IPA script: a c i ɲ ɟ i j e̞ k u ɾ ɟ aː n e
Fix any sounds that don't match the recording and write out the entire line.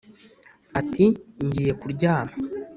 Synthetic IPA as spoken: a t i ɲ ɟ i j e̞ k u ɾ ɟ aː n a